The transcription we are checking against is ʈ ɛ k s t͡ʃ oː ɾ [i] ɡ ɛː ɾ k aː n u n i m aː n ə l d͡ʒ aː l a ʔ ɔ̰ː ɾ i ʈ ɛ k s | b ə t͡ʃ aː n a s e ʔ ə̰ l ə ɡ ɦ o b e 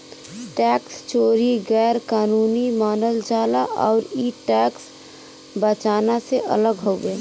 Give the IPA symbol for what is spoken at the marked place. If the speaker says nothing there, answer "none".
i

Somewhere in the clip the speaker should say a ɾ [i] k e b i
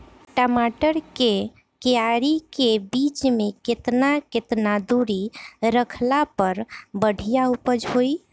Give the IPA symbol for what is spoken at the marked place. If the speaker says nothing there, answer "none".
i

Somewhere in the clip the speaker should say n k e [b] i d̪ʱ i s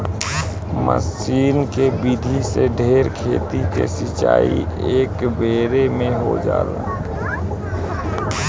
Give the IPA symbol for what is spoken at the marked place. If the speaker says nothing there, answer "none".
b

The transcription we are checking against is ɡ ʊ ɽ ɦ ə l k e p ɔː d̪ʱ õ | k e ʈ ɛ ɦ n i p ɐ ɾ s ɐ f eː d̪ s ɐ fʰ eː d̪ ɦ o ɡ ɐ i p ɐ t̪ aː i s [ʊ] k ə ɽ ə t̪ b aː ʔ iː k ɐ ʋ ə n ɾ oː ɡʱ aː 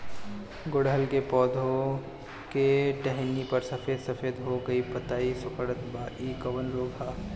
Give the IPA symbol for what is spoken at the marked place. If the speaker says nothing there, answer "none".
ʊ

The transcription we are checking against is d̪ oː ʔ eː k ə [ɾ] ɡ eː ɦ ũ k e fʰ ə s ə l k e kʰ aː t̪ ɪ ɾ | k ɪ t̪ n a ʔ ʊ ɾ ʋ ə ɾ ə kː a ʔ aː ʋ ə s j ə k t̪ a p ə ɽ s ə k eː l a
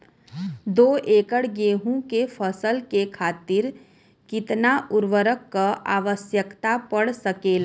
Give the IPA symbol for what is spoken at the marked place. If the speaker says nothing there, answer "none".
ɽ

